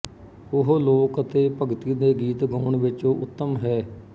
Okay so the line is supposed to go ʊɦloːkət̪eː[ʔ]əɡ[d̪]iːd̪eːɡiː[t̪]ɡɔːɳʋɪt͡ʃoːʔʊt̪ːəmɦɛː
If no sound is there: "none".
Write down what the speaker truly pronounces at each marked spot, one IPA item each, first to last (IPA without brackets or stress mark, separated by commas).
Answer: p, t̪, t̪